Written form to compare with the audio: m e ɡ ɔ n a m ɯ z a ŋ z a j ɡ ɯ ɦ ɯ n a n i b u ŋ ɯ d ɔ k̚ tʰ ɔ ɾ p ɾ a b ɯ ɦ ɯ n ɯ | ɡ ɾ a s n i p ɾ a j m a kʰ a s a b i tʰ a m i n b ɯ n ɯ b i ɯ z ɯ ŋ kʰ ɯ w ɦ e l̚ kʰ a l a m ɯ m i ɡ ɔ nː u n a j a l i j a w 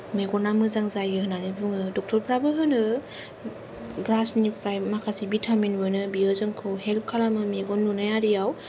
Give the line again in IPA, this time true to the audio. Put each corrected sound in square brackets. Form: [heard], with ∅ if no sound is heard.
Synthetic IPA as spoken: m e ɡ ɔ n a m ɯ z a ŋ z a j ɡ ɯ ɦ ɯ n a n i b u ŋ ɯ d ɔ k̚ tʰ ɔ ɾ p ɾ a b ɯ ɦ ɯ n ɯ | ɡ ɾ a s n i p ɾ a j m a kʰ a s [i] b i tʰ a m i n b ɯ n ɯ b i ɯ z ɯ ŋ kʰ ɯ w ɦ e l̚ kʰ a l a m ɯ m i ɡ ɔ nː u n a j a [ɾ] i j a w